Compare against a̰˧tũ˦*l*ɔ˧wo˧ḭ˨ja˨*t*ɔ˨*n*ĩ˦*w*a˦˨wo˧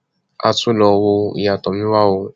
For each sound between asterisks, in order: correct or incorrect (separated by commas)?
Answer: correct, correct, incorrect, correct